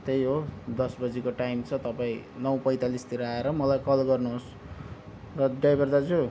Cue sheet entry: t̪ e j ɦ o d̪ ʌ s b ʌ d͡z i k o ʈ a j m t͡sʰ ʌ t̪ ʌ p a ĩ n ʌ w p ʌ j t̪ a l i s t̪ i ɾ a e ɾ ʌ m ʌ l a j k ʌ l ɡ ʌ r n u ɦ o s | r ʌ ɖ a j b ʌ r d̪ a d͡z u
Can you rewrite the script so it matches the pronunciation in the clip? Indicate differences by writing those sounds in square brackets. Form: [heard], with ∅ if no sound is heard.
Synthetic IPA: t̪ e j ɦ o d̪ ʌ s b ʌ d͡z i k o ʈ a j m t͡sʰ ʌ t̪ ʌ p a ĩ n ʌ w p ʌ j t̪ a l i s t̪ i ɾ a e ɾ ʌ m ʌ l a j k ʌ l ɡ ʌ r n u ɦ o s | r ʌ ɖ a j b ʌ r d̪ a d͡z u